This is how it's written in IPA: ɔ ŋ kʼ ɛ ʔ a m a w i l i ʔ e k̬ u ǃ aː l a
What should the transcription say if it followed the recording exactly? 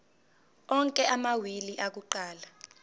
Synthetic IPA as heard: ɔ ŋ kʼ ɛ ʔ a m a w i l i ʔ a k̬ u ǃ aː l a